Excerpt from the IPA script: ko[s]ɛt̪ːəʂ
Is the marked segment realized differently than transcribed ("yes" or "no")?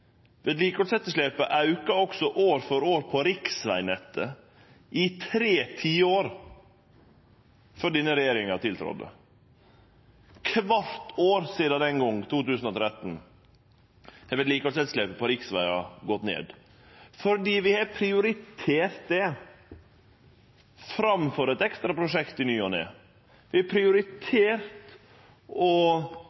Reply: no